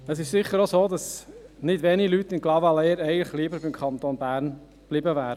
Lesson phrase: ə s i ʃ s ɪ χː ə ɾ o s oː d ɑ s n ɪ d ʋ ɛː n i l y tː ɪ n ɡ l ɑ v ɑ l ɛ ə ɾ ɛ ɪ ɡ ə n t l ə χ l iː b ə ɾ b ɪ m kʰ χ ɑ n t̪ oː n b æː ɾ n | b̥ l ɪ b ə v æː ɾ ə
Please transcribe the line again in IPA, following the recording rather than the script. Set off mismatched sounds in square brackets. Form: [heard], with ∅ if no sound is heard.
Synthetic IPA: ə s [ɪ] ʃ s ɪ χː ə ɾ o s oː d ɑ s n ɪ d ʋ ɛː n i l y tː ɪ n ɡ l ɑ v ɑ l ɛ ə ɾ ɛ ɪ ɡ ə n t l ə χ l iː b ə ɾ b ɪ m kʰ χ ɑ n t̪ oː n b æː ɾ n | b̥ l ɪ b ə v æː ɾ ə